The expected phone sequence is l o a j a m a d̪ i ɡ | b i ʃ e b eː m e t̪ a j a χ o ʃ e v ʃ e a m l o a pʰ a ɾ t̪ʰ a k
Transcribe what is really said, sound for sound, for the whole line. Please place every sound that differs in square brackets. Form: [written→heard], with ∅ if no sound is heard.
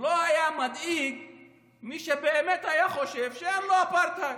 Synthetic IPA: l o a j a m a d̪ i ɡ | [b→m] i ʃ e b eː m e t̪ a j a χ o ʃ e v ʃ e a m l o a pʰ a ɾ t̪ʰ a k